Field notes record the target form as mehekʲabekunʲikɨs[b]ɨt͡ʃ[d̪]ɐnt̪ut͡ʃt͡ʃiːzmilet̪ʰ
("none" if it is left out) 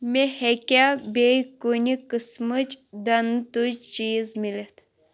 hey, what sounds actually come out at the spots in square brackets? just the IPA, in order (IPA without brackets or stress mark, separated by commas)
m, d̪